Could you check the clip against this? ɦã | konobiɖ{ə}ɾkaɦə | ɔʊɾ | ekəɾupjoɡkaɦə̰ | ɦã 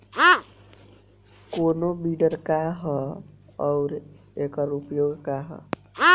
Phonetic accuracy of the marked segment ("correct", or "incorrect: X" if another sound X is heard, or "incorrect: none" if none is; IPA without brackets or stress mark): correct